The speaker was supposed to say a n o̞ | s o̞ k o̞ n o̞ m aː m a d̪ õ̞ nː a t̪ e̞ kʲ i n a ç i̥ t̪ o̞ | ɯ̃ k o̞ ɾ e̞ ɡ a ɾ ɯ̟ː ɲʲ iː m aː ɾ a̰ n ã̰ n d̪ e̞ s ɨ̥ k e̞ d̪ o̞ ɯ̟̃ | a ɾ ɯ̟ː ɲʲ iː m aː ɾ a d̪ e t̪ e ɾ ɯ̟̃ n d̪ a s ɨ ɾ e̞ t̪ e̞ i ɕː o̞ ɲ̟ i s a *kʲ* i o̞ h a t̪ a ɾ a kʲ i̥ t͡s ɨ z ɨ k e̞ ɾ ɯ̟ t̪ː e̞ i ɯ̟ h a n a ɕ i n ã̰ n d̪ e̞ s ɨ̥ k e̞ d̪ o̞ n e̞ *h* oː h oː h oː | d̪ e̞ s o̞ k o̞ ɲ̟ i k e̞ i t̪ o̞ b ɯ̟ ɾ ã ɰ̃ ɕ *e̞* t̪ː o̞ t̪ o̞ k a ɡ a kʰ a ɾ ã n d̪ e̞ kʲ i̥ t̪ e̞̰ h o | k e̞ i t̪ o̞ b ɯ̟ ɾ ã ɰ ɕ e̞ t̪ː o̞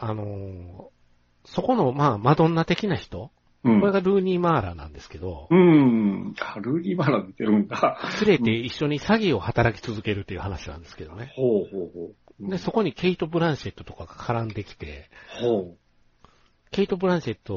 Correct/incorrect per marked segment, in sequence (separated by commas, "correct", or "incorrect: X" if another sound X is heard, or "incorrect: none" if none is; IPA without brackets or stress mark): incorrect: ɡʲ, correct, correct